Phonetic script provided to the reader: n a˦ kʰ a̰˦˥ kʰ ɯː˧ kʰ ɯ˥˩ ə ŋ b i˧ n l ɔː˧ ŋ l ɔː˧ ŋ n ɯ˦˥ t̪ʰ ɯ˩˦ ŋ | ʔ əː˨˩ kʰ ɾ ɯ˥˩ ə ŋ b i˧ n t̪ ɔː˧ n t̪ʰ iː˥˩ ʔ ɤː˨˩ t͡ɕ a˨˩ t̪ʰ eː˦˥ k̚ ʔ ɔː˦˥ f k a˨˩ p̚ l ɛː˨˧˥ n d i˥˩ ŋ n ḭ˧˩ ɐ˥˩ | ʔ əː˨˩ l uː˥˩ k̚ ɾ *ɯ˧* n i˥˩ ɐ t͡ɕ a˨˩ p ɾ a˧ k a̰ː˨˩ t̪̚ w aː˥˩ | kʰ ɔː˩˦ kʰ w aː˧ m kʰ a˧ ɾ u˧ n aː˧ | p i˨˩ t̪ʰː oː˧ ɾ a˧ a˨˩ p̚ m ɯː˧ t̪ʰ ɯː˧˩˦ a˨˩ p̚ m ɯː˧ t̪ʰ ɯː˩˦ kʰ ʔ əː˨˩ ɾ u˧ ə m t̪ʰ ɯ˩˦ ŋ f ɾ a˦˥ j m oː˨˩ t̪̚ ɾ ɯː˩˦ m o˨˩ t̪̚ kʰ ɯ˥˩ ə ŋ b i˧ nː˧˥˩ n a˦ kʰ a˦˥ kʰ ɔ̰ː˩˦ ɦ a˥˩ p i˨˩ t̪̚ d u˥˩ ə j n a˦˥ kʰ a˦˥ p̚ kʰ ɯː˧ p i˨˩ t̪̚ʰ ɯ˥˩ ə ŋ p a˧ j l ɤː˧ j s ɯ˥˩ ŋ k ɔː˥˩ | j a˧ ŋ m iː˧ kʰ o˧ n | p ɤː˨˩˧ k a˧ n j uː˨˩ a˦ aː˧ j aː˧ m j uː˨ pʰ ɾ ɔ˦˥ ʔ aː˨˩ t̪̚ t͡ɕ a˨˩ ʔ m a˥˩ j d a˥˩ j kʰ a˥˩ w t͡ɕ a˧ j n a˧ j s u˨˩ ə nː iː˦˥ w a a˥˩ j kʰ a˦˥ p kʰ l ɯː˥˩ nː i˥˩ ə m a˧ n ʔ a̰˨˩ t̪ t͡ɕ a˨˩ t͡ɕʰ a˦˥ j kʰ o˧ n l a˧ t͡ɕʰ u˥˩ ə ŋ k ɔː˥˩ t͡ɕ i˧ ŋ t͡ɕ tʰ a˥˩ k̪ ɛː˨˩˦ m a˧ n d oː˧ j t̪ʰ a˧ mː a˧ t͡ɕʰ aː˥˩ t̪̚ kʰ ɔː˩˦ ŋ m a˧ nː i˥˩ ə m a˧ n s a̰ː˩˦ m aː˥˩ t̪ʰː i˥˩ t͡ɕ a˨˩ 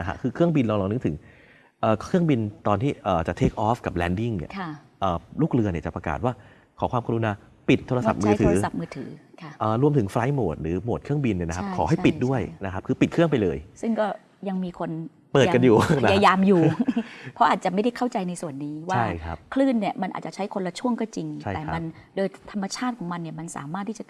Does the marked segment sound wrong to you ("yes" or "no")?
no